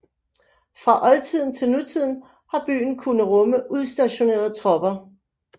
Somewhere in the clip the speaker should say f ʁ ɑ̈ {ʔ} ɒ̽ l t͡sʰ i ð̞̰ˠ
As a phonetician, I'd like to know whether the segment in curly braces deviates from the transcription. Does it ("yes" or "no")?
no